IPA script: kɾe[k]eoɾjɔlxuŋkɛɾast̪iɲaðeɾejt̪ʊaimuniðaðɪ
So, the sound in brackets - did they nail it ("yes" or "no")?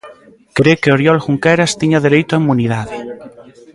yes